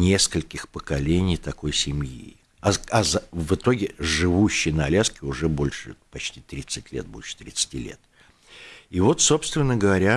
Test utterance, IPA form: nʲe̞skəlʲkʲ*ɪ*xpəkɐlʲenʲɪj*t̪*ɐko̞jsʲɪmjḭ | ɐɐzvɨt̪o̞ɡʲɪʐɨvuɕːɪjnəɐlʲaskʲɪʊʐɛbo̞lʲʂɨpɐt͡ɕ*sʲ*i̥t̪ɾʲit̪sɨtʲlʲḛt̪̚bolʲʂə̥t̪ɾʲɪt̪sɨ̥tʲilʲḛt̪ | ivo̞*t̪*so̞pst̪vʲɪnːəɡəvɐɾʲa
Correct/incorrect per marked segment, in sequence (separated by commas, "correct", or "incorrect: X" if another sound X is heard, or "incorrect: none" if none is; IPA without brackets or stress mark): correct, correct, incorrect: tʲ, correct